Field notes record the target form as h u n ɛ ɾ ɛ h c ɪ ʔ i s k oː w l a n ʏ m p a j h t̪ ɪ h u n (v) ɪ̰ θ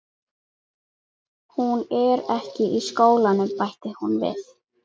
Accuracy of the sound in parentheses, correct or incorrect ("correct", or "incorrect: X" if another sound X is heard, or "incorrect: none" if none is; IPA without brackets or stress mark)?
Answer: correct